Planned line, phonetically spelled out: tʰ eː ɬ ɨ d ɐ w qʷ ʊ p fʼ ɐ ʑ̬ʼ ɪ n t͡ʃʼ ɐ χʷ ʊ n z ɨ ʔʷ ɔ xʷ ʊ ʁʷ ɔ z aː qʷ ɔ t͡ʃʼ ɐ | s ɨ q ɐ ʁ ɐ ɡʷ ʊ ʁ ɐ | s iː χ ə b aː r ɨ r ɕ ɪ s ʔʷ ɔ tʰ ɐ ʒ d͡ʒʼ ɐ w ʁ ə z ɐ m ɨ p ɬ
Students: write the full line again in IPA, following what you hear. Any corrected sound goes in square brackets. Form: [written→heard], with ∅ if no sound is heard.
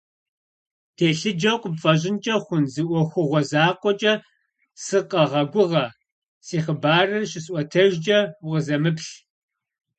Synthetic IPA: tʰ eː ɬ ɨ [d→d͡ʒ] ɐ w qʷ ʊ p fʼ ɐ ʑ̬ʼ ɪ n t͡ʃʼ ɐ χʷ ʊ n z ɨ ʔʷ ɔ xʷ ʊ ʁʷ ɔ z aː qʷ ɔ t͡ʃʼ ɐ | s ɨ q ɐ ʁ ɐ ɡʷ ʊ ʁ ɐ | s iː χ ə b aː r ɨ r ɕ ɪ s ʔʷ ɔ tʰ ɐ ʒ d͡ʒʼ ɐ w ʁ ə z ɐ m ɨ p ɬ